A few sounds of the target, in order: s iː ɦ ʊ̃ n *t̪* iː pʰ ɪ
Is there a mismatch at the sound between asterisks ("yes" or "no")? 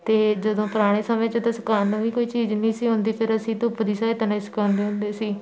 yes